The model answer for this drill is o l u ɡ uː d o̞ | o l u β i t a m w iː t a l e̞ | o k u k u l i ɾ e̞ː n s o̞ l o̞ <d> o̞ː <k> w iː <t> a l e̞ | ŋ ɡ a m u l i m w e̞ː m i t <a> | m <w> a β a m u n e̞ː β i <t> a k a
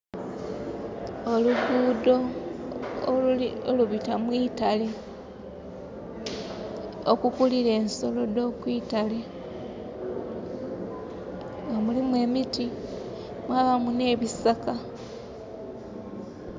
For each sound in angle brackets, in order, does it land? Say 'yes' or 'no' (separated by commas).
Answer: yes, yes, yes, no, yes, no